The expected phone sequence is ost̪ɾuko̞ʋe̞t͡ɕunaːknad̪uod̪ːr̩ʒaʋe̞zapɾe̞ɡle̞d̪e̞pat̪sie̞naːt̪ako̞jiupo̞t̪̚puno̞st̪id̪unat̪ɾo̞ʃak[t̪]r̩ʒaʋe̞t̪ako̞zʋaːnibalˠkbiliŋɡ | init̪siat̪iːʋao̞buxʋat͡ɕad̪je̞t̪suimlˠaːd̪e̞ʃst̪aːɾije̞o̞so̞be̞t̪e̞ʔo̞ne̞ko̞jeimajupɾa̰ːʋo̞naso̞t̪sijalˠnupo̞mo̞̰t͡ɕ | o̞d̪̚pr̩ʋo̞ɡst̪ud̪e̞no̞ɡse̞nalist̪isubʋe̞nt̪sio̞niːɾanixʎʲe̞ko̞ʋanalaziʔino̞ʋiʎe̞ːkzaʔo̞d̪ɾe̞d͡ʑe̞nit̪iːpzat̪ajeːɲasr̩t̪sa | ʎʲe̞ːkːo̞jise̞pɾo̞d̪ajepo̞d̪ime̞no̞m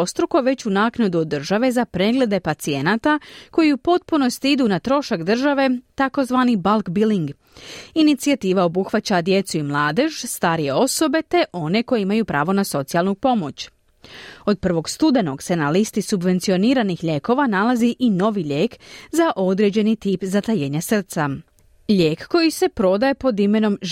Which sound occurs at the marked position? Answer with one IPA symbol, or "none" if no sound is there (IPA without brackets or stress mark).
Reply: d̪